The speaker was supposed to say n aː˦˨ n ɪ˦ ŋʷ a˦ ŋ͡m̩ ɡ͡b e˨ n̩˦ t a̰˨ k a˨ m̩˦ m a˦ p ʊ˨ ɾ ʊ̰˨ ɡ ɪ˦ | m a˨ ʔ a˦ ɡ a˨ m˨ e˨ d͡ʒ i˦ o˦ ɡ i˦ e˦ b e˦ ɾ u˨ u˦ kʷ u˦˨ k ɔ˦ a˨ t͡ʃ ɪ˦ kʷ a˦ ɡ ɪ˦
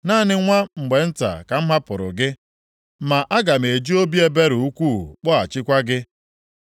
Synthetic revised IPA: n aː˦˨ n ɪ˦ ŋʷ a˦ ŋ͡m̩ ɡ͡b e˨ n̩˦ t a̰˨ k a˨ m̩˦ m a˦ p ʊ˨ ɾ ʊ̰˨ ɡ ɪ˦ | m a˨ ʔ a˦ ɡ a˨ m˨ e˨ d͡ʒ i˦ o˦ b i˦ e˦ b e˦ ɾ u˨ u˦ kʷ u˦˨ k͡p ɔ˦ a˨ t͡ʃ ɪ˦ kʷ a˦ ɡ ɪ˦